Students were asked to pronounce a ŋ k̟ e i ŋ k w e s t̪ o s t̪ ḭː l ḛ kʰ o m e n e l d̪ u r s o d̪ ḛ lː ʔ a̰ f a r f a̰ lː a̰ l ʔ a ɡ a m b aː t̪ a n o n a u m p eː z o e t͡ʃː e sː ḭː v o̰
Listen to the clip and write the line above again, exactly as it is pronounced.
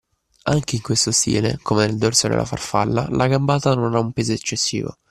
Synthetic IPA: a ŋ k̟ e i ŋ k w e s t̪ o s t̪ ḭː l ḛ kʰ o m e n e l d̪ o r s o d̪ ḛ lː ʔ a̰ f a r f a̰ lː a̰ l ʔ a ɡ a m b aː t̪ a n o n a u m p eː z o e t͡ʃː e sː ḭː v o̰